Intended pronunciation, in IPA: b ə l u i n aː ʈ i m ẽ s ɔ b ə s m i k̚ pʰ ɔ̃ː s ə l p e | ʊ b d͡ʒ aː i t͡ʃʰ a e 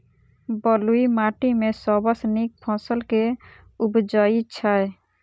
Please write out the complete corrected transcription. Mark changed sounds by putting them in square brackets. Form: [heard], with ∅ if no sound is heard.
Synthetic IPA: b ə l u i [m] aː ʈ i m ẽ s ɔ b ə s [n] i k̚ pʰ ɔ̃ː s ə l [k] e | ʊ b d͡ʒ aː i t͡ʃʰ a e